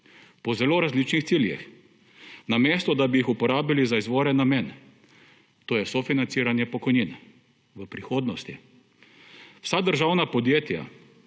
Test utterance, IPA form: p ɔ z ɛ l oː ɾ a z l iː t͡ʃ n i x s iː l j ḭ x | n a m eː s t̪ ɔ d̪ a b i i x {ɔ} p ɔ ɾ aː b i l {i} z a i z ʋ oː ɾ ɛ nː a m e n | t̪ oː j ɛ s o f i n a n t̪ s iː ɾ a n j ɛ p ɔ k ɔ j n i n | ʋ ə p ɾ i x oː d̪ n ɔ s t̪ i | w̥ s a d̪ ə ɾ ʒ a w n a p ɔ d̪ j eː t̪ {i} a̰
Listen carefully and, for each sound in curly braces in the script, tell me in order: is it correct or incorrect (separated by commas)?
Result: incorrect, correct, incorrect